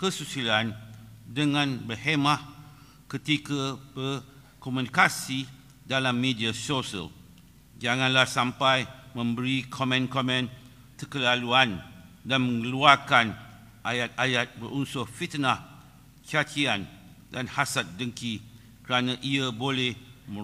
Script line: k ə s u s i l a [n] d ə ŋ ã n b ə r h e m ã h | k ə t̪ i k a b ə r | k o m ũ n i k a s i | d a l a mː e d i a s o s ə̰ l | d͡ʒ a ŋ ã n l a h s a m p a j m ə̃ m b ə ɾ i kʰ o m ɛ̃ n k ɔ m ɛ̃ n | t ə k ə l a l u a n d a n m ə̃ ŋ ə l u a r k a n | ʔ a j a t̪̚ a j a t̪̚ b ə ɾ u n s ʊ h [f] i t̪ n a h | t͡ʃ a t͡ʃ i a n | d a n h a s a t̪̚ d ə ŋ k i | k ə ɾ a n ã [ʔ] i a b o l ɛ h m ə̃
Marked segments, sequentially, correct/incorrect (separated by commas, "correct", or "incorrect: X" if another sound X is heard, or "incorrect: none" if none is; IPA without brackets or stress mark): correct, correct, correct